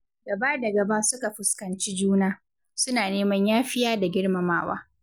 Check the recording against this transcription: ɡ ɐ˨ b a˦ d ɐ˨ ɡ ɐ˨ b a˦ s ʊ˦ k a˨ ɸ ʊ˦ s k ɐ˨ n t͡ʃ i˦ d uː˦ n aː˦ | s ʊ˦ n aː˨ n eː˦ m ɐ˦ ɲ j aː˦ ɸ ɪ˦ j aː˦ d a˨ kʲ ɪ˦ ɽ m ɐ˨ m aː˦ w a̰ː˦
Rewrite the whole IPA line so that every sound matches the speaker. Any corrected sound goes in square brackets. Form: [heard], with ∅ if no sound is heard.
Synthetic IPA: ɡ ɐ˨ b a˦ d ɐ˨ ɡ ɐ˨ b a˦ s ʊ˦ k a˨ ɸ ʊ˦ s k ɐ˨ n t͡ʃ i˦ [d͡ʒ] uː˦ n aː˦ | s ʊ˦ n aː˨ n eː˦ m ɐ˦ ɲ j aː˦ ɸ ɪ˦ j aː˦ d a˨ [ɡʲ] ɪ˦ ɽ m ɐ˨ m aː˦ w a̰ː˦